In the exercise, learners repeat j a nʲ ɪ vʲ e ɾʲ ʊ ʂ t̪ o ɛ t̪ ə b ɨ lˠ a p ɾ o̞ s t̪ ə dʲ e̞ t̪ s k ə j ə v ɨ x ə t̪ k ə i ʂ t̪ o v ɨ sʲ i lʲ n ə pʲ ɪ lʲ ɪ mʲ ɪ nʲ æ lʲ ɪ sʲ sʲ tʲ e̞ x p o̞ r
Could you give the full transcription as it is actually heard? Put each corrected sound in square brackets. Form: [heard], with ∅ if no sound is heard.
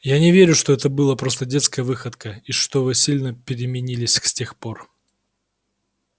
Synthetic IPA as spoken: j a nʲ ɪ vʲ e ɾʲ ʊ ʂ t̪ o ɛ t̪ ə b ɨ lˠ [ə] p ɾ o̞ s t̪ ə dʲ e̞ t̪ s k ə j ə v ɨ x ə t̪ k ə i ʂ t̪ o v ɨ sʲ i lʲ n ə pʲ ɪ [ɾʲ] ɪ mʲ ɪ nʲ [i] lʲ ɪ sʲ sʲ tʲ e̞ x p o̞ r